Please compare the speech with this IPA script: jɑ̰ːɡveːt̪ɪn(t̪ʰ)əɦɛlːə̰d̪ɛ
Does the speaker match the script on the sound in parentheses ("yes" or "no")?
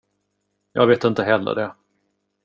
no